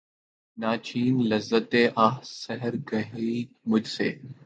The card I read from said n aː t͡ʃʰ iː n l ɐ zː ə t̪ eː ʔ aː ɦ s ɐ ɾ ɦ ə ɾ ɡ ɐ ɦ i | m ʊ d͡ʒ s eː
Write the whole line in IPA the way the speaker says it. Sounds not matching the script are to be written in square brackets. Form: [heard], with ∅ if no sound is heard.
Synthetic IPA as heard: n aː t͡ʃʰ iː n l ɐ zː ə t̪ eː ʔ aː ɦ s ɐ [∅] ɦ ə ɾ ɡ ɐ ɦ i | m ʊ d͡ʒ s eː